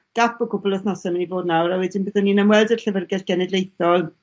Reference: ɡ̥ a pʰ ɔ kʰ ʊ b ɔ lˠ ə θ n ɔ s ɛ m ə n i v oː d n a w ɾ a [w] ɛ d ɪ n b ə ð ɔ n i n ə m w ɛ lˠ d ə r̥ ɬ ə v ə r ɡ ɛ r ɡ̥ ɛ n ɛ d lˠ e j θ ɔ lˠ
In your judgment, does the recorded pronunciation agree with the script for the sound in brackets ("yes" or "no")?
yes